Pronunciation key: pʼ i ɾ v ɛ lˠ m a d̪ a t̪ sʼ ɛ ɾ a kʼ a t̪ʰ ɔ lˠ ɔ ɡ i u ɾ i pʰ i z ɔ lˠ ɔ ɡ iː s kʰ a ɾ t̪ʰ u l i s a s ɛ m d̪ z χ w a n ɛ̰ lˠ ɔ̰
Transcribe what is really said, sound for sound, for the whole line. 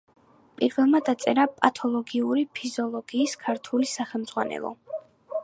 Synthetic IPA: pʼ i ɾ v ɛ lˠ m a d̪ a t̪ sʼ ɛ ɾ a pʼ a t̪ʰ ɔ lˠ ɔ ɡ i u ɾ i pʰ i z ɔ lˠ ɔ ɡ iː s kʰ a ɾ t̪ʰ u l i s a χ ɛ m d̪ z ʁ w a n ɛ̰ lˠ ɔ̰